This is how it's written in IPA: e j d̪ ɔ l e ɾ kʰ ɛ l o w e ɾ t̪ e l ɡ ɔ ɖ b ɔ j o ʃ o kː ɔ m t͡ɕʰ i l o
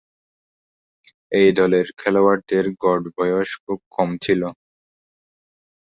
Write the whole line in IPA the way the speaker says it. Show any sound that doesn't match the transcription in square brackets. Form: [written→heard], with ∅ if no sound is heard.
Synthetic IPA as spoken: e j d̪ ɔ l e ɾ kʰ ɛ l o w [e→a] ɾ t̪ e [l→ɾ] ɡ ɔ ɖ b ɔ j o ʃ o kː ɔ m t͡ɕʰ i l o